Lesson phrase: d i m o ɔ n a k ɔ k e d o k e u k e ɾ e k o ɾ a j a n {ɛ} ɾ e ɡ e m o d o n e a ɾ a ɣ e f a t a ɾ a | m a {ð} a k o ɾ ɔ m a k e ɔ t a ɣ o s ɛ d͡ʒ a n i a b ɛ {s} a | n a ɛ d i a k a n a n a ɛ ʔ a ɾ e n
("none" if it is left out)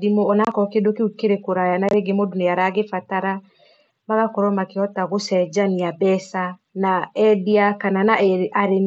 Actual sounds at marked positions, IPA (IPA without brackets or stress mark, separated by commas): a, ɣ, s